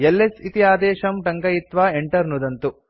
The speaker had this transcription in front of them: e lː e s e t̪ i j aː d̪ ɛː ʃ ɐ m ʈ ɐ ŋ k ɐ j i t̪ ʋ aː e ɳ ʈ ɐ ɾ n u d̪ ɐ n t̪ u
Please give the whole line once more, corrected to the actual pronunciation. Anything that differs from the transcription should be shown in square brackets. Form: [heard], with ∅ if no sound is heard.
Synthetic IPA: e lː e s [i] t̪ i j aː d̪ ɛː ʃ ɐ m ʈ ɐ ŋ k ɐ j i t̪ ʋ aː e ɳ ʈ ɐ ɾ n u d̪ ɐ n t̪ u

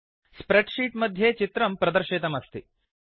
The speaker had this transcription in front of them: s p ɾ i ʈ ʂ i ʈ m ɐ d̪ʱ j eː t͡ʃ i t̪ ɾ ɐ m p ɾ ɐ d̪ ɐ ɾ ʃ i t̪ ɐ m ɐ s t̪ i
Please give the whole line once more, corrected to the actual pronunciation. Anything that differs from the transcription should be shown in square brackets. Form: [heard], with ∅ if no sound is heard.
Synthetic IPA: s p ɾ [e] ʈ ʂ [iː] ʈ m ɐ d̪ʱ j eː t͡ʃ i t̪ ɾ ɐ m p ɾ ɐ d̪ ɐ ɾ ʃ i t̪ ɐ m ɐ s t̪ i

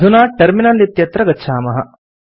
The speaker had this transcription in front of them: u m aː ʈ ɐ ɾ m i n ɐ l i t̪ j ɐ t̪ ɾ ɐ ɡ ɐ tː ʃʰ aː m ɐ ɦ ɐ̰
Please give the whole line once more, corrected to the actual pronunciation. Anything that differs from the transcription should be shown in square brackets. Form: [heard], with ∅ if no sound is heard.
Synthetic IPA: u [n] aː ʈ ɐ ɾ m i n ɐ l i t̪ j ɐ t̪ ɾ ɐ ɡ ɐ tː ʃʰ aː m ɐ ɦ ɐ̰

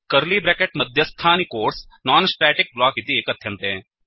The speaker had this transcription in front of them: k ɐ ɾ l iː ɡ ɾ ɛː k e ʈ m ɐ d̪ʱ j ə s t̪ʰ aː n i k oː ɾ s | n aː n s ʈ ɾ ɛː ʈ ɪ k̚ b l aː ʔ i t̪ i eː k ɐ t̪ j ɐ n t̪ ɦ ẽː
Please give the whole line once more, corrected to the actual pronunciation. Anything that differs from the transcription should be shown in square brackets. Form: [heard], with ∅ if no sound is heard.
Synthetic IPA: k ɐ ɾ l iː [b] ɾ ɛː k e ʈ m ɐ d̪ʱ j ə s t̪ʰ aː n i k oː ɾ s | n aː n s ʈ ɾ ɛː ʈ ɪ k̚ b l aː [k] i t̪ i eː k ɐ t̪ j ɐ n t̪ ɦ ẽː

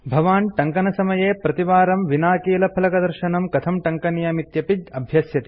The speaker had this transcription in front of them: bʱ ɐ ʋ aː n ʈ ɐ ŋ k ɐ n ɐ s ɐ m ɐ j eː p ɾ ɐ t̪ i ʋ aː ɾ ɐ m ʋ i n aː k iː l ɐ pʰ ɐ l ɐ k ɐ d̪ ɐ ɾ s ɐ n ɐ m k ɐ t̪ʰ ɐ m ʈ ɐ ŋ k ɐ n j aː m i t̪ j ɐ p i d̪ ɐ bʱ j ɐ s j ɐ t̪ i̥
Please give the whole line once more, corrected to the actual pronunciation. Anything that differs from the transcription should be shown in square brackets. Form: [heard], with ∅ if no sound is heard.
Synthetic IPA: bʱ ɐ ʋ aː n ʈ ɐ ŋ k ɐ n ɐ s ɐ m ɐ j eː p ɾ ɐ t̪ i ʋ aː ɾ ɐ m ʋ i n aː k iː l ɐ pʰ ɐ l ɐ k ɐ d̪ ɐ ɾ [ʃ] ɐ n ɐ m k ɐ t̪ʰ ɐ m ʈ ɐ ŋ k ɐ n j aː m i t̪ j ɐ p i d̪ ɐ bʱ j ɐ s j ɐ t̪ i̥

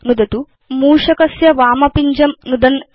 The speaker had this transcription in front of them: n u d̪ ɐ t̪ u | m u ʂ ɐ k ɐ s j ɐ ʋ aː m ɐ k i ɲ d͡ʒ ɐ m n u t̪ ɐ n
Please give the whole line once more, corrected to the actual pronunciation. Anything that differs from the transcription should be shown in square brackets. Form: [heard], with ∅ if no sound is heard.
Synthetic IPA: n u d̪ ɐ t̪ u | m [uː] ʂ ɐ k ɐ s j ɐ ʋ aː m ɐ [p] i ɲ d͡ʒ ɐ m n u [d̪] ɐ n

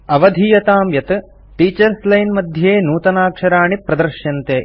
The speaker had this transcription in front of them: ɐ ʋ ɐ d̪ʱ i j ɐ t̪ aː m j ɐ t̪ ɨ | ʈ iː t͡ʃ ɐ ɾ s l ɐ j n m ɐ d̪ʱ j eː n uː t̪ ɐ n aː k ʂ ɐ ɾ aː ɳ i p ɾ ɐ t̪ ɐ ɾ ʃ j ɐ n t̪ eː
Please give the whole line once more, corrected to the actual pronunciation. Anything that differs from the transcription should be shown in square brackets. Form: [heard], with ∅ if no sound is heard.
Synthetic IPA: ɐ ʋ ɐ d̪ʱ i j ɐ t̪ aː m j ɐ t̪ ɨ | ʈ iː t͡ʃ ɐ ɾ s l ɐ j n m ɐ d̪ʱ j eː n uː t̪ ɐ n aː k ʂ ɐ ɾ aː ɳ i p ɾ ɐ [d̪] ɐ ɾ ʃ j ɐ n t̪ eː

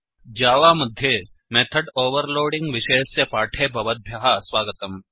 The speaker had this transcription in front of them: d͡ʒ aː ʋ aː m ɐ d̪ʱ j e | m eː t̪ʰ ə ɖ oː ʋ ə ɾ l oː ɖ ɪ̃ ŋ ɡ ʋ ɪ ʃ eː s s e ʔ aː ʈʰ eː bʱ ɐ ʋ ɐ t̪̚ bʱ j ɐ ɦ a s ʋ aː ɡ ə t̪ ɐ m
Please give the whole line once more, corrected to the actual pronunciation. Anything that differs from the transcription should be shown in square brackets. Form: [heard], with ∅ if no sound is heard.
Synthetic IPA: d͡ʒ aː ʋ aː m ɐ d̪ʱ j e | m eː t̪ʰ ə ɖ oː ʋ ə ɾ l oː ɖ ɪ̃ ŋ ɡ ʋ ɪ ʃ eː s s e [p] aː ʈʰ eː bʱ ɐ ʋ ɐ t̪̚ bʱ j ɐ ɦ a s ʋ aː ɡ ə t̪ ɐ m

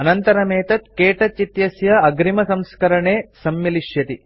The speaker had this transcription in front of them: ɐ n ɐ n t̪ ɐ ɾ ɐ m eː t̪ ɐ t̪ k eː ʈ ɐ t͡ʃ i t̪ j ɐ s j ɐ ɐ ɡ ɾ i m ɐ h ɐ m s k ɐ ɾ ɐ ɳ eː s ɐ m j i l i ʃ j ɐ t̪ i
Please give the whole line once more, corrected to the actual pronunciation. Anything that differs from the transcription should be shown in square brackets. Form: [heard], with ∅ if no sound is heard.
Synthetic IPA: ɐ n ɐ n t̪ ɐ ɾ ɐ m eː t̪ ɐ t̪ k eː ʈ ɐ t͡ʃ i t̪ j ɐ s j ɐ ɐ ɡ ɾ i m ɐ [s] ɐ m s k ɐ ɾ ɐ ɳ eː s ɐ m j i l i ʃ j ɐ t̪ i

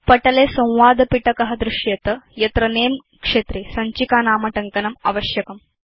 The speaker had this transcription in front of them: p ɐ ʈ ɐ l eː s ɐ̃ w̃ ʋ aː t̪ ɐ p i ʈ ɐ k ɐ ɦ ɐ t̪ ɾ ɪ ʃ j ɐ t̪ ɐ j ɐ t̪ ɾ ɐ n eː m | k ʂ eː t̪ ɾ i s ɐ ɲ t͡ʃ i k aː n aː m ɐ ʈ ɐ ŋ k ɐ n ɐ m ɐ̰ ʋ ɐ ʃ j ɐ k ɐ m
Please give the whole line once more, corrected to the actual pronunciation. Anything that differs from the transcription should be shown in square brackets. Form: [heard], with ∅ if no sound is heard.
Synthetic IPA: p ɐ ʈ ɐ l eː s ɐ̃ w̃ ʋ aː [d̪] ɐ p i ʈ ɐ k ɐ ɦ ɐ [d̪] ɾ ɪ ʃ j ɐ t̪ ɐ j ɐ t̪ ɾ ɐ n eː m | k ʂ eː t̪ ɾ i s ɐ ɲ t͡ʃ i k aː n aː m ɐ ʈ ɐ ŋ k ɐ n ɐ m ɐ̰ ʋ ɐ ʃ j ɐ k ɐ m

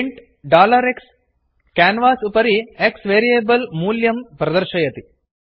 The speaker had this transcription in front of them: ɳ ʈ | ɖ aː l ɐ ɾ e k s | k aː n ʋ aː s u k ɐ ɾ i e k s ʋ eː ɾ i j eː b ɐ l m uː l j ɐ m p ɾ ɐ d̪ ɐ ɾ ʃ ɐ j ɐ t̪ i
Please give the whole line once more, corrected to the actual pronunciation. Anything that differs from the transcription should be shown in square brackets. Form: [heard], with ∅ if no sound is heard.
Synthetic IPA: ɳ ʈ | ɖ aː l ɐ ɾ e k s | k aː n ʋ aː s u [p] ɐ ɾ i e k s ʋ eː ɾ i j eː b ɐ l m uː l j ɐ m p ɾ ɐ d̪ ɐ ɾ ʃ ɐ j ɐ t̪ i

